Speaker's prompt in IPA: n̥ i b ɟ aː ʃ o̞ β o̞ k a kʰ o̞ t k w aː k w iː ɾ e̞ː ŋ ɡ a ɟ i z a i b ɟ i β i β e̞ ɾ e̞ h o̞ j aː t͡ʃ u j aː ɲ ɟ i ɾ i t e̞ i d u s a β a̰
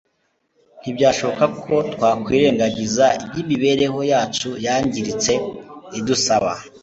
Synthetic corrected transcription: n̥ i b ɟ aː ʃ o̞ β o̞ k a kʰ o̞ t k w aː k w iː ɾ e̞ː ŋ ɡ a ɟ i z a i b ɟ i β i β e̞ ɾ e̞ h o̞ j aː t͡ʃ u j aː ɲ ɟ i ɾ i t͡s e̞ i d u s a β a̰